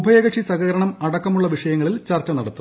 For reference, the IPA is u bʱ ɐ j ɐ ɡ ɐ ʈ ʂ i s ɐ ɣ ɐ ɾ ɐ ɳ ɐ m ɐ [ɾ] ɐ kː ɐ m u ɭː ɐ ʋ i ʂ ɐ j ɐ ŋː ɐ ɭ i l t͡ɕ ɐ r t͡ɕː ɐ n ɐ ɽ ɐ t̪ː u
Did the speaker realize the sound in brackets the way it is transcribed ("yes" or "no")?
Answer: no